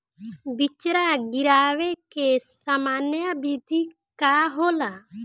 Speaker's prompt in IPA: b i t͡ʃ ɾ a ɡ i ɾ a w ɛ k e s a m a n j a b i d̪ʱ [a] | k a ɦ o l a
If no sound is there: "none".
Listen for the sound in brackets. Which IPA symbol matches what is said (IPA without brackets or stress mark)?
i